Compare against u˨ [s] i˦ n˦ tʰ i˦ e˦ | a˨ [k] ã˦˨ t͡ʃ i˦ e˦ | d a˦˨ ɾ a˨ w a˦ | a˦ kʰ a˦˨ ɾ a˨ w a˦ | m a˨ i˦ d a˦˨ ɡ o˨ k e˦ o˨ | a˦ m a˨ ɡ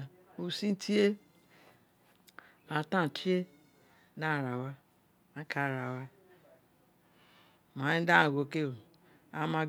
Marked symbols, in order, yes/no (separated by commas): yes, no